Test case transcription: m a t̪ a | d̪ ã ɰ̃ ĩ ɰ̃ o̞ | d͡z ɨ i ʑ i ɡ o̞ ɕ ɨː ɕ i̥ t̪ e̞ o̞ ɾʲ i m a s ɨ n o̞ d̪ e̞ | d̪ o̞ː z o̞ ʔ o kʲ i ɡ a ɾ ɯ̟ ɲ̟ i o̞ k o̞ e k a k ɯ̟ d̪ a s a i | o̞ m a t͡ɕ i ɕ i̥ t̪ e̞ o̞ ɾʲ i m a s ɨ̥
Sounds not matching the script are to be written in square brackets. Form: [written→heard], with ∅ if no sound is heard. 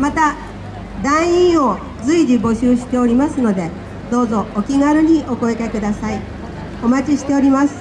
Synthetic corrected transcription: m a t̪ a | d̪ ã ɰ̃ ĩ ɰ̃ o̞ | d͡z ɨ i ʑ i [ɡ→b] o̞ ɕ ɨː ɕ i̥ t̪ e̞ o̞ ɾʲ i m a s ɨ n o̞ d̪ e̞ | d̪ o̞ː z o̞ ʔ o kʲ i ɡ a ɾ ɯ̟ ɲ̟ i o̞ k o̞ e k a k ɯ̟ d̪ a s a i | o̞ m a t͡ɕ i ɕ i̥ t̪ e̞ o̞ ɾʲ i m a s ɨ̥